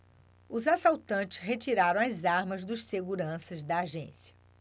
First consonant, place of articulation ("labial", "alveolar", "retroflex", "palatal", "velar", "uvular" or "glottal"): alveolar